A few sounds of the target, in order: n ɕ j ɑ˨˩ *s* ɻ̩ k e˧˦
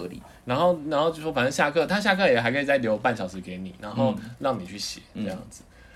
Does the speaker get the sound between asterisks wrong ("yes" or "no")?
yes